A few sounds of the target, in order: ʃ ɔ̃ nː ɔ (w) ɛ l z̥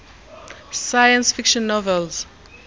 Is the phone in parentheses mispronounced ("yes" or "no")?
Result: yes